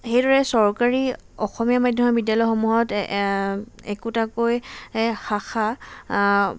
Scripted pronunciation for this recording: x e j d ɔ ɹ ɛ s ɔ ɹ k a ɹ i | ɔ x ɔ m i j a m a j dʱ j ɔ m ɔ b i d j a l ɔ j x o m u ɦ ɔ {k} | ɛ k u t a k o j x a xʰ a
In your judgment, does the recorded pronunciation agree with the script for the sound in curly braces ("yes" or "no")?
no